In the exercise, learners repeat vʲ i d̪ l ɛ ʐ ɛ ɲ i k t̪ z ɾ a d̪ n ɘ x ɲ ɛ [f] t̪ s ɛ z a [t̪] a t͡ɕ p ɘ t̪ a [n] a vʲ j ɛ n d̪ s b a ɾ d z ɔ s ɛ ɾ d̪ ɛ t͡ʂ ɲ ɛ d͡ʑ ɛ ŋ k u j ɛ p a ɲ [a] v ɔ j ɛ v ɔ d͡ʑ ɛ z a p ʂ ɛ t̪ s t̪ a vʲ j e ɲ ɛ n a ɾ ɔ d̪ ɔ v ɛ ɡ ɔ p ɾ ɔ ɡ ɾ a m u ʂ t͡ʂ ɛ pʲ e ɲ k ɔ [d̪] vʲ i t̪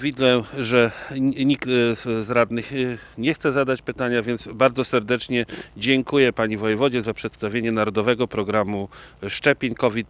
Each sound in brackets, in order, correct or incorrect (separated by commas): incorrect, incorrect, incorrect, incorrect, incorrect